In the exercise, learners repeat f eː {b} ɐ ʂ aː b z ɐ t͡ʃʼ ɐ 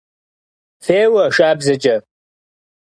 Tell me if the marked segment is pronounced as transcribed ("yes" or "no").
no